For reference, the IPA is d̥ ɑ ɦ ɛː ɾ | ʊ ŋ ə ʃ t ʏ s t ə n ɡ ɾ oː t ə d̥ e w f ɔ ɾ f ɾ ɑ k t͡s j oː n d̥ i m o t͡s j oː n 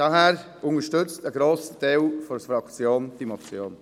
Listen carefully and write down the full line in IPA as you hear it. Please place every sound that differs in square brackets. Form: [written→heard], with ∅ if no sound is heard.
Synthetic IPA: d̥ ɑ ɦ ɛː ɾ | ʊ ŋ ə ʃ t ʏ [s→t͡s] t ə [n→∅] ɡ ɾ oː [t→s] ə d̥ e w f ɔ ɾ f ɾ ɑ k t͡s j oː n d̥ i m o t͡s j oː n